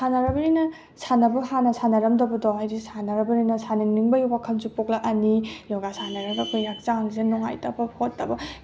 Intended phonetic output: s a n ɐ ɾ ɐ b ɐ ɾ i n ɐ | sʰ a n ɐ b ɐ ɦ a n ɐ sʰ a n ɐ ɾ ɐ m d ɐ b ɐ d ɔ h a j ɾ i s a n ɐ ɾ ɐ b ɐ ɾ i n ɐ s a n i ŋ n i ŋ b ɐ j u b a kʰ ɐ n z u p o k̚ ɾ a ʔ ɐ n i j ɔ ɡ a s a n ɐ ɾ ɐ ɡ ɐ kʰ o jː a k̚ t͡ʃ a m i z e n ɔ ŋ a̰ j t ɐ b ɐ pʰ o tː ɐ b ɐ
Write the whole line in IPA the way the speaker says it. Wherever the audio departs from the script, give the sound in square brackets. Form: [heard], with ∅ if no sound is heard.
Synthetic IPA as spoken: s a n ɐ ɾ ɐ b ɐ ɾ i n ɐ | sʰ a n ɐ b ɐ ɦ a n ɐ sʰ a n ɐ ɾ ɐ m d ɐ b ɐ d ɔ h a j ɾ i s a n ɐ ɾ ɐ b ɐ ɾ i n ɐ s a n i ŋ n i ŋ b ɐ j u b a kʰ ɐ n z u p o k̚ [l] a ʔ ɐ n i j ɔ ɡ a s a n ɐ ɾ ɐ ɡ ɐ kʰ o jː a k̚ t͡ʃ a [ŋ] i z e n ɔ ŋ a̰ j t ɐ b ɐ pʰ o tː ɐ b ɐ